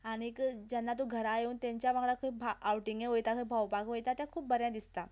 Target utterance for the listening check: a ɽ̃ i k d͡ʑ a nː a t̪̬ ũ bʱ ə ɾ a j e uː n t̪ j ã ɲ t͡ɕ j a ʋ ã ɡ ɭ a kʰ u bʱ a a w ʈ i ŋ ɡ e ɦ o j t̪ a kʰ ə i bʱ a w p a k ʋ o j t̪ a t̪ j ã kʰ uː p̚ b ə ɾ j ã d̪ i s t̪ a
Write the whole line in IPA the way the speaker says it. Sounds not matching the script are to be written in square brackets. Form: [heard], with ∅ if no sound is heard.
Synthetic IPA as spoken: a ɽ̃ i k d͡ʑ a nː a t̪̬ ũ [ɡʱ] ə ɾ a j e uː n t̪ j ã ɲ t͡ɕ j a ʋ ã ɡ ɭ a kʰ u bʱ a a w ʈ i ŋ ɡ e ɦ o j t̪ a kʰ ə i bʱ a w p a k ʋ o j t̪ a t̪ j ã kʰ uː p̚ b ə ɾ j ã d̪ i s t̪ a